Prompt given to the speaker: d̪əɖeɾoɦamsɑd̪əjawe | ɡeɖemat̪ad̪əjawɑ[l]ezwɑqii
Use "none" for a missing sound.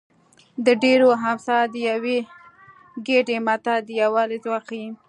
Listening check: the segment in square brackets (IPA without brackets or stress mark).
l